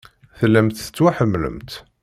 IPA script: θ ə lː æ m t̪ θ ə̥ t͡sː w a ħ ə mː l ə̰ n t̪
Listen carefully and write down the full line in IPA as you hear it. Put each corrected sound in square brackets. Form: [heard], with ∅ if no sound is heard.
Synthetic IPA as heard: θ ə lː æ m t̪ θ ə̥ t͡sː w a ħ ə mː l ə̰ [m] t̪